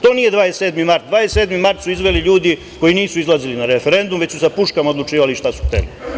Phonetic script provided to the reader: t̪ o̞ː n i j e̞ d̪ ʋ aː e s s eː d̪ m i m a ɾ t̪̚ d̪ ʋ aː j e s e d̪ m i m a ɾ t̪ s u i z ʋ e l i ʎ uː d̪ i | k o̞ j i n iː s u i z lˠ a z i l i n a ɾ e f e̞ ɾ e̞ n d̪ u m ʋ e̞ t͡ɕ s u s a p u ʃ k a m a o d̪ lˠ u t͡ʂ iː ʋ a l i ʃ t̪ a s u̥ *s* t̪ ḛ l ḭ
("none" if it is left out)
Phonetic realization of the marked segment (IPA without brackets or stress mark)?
x